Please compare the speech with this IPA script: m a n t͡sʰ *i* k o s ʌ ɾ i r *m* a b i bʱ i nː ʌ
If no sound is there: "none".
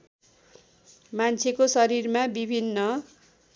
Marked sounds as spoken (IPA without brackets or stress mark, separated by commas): e, m